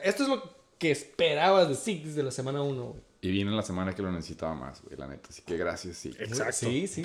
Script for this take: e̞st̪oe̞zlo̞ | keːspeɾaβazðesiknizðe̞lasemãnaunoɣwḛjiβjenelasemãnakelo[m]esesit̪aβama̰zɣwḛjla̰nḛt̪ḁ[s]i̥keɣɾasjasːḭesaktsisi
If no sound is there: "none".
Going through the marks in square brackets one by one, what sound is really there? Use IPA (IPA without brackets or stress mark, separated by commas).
n, s